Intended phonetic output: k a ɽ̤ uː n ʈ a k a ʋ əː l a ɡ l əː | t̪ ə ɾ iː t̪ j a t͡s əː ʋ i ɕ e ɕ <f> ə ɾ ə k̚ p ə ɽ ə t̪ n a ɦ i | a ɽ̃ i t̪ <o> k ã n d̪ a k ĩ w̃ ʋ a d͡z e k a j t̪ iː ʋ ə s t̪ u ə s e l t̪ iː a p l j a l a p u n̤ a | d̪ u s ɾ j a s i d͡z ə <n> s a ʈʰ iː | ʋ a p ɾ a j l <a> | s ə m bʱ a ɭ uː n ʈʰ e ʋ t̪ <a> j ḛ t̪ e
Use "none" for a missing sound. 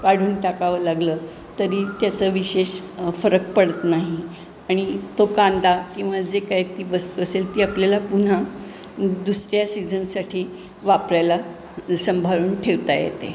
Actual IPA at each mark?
f, o, n, a, a

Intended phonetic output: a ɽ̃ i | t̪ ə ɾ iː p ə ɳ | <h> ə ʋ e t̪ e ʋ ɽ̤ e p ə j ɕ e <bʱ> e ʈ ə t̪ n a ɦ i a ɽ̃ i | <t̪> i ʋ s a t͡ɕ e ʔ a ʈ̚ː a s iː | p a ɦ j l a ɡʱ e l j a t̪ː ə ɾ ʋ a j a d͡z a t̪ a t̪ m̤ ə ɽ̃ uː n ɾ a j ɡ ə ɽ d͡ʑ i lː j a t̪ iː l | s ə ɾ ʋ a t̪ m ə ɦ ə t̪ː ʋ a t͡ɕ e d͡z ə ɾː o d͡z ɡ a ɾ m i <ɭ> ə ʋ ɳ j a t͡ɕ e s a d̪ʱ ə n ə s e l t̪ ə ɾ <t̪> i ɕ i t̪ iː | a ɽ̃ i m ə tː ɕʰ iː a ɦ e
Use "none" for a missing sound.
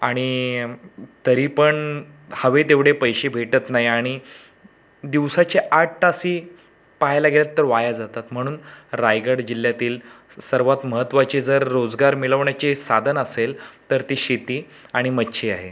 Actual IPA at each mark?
h, bʱ, d̪, l, t̪

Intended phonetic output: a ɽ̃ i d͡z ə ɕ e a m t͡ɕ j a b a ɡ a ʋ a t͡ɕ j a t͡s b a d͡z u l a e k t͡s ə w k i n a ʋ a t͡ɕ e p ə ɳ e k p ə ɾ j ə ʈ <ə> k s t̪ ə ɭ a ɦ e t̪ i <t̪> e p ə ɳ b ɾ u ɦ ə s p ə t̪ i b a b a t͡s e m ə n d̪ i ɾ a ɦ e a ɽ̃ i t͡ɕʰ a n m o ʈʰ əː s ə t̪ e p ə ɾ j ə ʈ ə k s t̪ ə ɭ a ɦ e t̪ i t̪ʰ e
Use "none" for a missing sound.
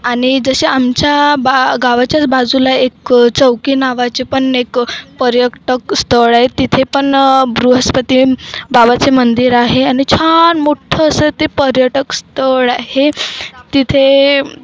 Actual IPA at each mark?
ə, t̪ʰ

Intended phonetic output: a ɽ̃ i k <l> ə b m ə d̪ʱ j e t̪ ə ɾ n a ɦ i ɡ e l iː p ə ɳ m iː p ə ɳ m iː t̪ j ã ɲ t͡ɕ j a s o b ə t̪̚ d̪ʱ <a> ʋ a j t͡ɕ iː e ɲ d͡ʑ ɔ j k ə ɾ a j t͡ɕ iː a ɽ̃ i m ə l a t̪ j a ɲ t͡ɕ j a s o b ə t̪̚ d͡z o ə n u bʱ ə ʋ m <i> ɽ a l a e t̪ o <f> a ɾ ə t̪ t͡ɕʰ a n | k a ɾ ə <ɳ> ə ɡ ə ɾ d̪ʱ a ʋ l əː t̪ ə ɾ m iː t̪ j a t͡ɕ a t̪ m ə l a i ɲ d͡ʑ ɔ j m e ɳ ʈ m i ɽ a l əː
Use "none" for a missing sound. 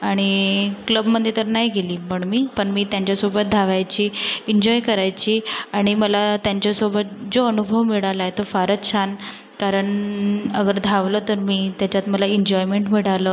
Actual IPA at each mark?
l, a, i, f, ɳ

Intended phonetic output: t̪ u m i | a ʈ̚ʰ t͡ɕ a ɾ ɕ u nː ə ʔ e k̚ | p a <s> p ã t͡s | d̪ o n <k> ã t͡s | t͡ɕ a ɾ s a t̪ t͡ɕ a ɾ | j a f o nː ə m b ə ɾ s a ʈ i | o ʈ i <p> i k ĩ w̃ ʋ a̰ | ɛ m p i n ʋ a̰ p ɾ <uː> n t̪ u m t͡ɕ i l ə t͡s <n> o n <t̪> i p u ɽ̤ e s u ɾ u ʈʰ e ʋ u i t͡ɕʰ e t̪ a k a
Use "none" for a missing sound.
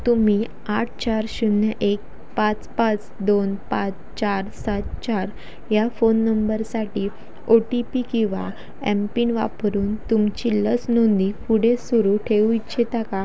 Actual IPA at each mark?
t͡s, p, p, uː, n, d̪

